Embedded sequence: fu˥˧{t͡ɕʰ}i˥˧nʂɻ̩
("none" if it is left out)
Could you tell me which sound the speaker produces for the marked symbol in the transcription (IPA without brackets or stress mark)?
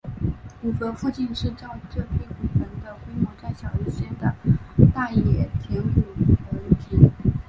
t͡ɕ